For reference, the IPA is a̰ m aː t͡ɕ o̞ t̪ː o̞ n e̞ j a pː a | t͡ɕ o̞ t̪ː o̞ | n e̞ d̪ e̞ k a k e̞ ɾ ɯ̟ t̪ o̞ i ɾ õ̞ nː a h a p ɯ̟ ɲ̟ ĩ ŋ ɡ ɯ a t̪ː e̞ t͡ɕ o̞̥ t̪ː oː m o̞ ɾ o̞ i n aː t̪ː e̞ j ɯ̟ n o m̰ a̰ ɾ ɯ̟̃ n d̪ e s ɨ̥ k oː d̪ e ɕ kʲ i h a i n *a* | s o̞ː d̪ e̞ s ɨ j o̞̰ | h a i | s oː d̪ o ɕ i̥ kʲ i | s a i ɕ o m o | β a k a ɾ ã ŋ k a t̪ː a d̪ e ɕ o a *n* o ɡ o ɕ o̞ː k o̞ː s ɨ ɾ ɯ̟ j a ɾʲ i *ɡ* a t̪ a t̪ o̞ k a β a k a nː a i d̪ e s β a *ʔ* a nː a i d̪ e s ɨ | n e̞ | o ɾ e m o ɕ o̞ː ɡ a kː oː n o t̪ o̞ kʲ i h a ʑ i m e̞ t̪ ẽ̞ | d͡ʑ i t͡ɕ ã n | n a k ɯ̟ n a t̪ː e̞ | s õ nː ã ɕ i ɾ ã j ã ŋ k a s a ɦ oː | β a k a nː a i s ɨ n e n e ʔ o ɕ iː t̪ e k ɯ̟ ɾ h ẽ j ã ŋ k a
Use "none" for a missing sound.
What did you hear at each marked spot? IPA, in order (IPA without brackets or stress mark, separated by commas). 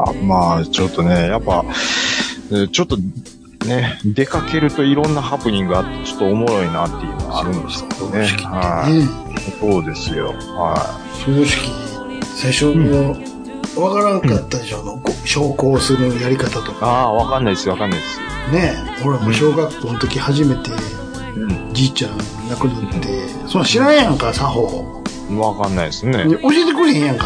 e, n, k, k